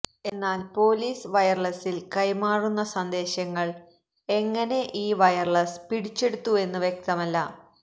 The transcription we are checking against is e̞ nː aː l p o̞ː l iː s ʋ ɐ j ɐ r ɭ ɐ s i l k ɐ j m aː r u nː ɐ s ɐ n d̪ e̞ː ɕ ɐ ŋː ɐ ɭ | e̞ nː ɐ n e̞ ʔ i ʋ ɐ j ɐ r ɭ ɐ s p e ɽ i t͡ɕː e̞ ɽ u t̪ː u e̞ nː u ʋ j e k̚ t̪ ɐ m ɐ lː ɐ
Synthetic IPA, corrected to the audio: e̞ nː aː l p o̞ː l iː s ʋ ɐ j ɐ r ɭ ɐ s i l k ɐ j m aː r u nː ɐ s ɐ n d̪ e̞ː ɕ ɐ ŋː ɐ ɭ | e̞ ŋː ɐ n e̞ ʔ iː ʋ ɐ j ɐ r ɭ ɐ s p i ɽ i t͡ɕː e̞ ɽ u t̪ː u e̞ nː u ʋ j e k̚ t̪ ɐ m ɐ lː ɐ